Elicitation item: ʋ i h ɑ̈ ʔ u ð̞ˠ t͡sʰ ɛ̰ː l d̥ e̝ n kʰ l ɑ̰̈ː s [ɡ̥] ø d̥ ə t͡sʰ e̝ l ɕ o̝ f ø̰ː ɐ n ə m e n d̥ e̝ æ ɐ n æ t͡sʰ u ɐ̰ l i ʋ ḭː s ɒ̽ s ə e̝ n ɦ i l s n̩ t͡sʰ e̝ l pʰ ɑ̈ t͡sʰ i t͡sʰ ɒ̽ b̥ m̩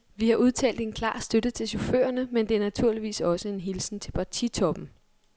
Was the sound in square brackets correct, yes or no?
no